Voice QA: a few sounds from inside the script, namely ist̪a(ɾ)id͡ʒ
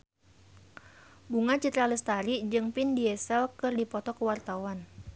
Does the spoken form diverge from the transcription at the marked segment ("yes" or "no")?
no